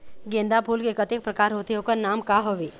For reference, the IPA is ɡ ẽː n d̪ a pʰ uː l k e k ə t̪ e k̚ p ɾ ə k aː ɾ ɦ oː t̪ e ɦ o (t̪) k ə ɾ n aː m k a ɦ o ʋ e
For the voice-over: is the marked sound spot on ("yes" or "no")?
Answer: no